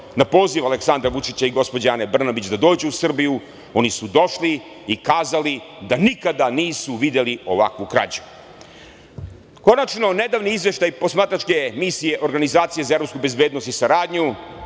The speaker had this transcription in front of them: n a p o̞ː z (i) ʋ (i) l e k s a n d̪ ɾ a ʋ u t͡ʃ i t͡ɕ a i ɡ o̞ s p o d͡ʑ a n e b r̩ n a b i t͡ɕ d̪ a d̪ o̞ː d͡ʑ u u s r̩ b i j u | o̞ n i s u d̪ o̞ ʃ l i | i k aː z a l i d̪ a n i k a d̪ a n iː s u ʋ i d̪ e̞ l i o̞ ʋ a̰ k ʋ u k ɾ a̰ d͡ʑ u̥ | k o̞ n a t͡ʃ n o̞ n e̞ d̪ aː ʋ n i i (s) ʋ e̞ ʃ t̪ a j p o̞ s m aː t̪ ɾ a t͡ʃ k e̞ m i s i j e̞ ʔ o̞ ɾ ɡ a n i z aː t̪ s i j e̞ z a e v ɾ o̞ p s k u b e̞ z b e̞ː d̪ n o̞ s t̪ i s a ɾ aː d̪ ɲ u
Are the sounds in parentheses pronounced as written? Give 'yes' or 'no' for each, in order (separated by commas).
yes, no, no